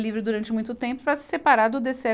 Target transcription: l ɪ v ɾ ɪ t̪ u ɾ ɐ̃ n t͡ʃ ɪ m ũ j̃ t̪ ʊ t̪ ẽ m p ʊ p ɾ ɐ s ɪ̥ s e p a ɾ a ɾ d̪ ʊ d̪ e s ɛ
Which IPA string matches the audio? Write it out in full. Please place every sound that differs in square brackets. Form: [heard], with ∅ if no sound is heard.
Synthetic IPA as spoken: l [i] v ɾ ɪ [d̪] u ɾ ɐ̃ n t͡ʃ ɪ m ũ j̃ t̪ ʊ t̪ ẽ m p ʊ p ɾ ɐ s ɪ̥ s e p a ɾ a ɾ d̪ ʊ d̪ e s ɛ